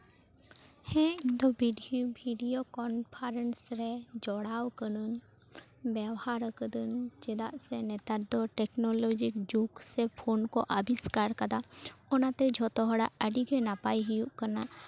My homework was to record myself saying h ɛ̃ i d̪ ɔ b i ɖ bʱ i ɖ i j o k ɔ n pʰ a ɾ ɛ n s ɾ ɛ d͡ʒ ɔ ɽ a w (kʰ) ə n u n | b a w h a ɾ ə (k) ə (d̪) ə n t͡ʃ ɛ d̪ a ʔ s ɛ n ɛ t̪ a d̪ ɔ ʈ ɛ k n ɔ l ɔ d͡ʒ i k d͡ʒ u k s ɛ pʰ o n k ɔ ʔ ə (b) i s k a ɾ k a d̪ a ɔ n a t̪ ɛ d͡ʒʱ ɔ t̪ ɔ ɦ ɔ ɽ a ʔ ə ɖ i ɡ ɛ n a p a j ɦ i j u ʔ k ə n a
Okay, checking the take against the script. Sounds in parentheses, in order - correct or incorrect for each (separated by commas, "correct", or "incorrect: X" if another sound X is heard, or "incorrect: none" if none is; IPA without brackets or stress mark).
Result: incorrect: k, correct, correct, correct